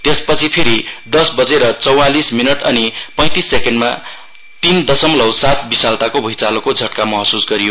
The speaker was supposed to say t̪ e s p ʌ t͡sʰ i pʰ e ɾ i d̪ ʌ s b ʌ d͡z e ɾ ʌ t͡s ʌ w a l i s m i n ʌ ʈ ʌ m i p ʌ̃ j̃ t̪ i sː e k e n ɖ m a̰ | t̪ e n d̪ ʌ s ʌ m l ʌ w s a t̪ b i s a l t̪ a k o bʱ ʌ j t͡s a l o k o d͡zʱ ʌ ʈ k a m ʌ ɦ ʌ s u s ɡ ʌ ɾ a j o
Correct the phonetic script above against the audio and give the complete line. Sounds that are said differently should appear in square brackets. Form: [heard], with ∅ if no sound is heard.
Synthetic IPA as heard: t̪ e s p ʌ t͡sʰ i pʰ e ɾ i d̪ ʌ s b ʌ d͡z e ɾ ʌ t͡s ʌ w a l i s m i n ʌ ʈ ʌ [n] i p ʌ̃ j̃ t̪ i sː e k e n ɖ m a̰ | t̪ [i] n d̪ ʌ s ʌ m l ʌ w s a t̪ b i s a l t̪ a k o bʱ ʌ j t͡s a l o k o d͡zʱ ʌ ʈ k a m ʌ ɦ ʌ s u s ɡ ʌ ɾ [i] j o